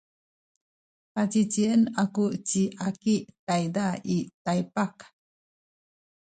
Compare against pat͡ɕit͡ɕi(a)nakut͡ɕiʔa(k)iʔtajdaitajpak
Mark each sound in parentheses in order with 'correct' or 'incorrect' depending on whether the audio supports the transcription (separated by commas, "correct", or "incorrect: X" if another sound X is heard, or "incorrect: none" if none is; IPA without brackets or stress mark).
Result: incorrect: ə, correct